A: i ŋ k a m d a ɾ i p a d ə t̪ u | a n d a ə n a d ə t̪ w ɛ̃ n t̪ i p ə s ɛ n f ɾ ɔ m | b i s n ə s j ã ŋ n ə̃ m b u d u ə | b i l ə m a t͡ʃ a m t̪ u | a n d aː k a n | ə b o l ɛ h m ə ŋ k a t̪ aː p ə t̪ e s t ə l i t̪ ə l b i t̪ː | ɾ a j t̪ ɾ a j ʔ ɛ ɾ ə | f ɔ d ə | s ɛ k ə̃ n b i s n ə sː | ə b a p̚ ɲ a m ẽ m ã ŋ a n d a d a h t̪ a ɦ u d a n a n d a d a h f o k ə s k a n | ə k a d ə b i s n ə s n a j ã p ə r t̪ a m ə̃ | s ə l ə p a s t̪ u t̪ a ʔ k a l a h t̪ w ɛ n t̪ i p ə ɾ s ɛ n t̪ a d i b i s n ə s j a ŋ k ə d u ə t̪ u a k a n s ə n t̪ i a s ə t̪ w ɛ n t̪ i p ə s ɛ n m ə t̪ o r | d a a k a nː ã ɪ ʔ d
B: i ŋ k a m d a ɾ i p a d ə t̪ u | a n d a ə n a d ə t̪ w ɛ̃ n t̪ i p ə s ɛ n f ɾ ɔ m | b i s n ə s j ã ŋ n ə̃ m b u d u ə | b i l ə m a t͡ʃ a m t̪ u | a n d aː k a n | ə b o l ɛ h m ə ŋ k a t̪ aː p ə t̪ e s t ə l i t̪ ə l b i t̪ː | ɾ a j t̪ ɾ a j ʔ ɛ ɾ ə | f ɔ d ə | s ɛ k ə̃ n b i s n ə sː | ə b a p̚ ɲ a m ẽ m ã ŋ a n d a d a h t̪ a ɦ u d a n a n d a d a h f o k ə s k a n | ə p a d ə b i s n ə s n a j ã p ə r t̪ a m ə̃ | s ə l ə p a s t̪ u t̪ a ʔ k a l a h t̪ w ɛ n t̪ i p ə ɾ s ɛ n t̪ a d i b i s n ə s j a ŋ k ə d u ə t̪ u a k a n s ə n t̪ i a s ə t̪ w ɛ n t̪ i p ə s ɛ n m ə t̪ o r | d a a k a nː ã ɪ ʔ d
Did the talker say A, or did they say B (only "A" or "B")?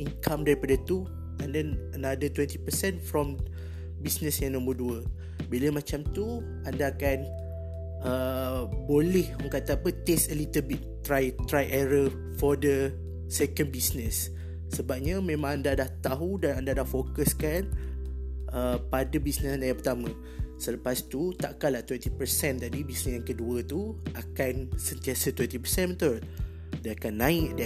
B